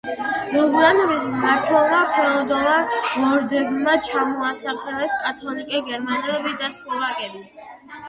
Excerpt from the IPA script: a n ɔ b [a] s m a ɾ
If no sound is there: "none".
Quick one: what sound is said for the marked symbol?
i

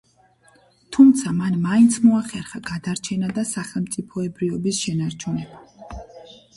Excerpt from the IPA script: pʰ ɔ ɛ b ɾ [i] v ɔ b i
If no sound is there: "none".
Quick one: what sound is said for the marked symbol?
i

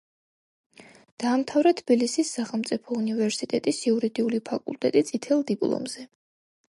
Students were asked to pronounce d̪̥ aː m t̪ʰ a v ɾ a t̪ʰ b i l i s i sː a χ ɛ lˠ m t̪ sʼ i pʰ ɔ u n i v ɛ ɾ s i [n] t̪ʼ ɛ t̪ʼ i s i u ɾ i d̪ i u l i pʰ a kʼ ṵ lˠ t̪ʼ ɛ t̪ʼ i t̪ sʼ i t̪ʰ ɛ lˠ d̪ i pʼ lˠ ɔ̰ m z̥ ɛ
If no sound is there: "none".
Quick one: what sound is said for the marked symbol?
none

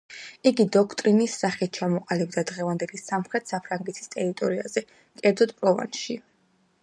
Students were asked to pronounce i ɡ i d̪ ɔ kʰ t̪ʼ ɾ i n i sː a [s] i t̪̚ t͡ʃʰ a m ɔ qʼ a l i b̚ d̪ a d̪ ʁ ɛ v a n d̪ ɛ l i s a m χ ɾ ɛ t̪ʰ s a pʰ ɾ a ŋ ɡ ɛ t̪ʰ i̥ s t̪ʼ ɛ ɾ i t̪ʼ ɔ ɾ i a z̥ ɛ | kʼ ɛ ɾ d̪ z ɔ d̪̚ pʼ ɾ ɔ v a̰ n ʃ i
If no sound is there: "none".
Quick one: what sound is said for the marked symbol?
χ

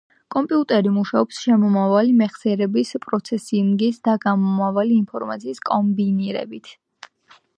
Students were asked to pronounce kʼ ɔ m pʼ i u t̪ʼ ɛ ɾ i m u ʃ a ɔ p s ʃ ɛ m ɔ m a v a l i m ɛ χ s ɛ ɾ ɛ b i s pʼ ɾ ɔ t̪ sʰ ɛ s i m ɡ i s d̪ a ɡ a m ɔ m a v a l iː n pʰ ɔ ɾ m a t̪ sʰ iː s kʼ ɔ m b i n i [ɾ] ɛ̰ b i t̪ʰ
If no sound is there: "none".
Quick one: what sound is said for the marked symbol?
ɾ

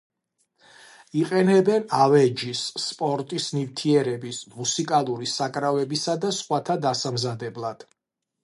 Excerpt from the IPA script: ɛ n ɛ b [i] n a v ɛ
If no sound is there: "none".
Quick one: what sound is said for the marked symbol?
ɛ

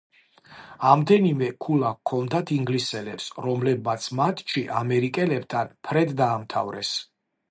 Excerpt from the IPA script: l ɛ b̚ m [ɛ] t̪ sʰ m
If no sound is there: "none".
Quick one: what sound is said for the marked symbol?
a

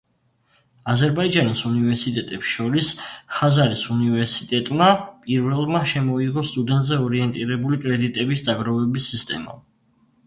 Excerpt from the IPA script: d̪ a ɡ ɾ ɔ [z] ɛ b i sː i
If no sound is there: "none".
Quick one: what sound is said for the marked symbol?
v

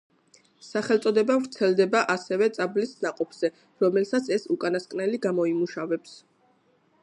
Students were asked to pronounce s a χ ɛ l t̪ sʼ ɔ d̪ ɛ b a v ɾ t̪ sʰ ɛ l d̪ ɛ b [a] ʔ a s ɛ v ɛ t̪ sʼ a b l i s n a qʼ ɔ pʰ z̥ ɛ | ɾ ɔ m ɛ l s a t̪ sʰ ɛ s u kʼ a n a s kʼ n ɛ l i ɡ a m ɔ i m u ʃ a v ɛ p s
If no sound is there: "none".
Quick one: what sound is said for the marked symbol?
a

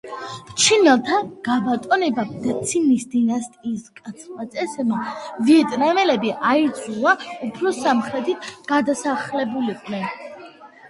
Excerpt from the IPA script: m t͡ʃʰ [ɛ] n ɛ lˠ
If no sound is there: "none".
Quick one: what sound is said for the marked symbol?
i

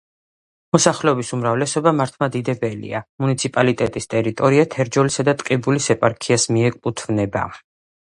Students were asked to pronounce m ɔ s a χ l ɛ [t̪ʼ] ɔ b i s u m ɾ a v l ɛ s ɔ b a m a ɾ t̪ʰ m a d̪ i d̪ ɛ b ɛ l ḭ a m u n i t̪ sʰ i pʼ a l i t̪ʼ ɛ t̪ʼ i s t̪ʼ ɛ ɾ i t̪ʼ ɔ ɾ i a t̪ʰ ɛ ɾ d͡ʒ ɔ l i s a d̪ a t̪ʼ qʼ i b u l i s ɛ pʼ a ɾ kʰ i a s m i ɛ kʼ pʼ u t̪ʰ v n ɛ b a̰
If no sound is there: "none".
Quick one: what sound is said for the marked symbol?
none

